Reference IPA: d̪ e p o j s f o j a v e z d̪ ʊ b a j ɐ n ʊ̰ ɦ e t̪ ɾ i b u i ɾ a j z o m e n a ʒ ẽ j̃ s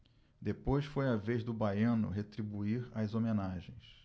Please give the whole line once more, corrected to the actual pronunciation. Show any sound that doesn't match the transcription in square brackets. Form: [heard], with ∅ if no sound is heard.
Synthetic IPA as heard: d̪ e p o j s f o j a v e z d̪ ʊ b a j [ɐ̃] n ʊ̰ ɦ e t̪ ɾ i b u i ɾ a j z o m e n a ʒ ẽ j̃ s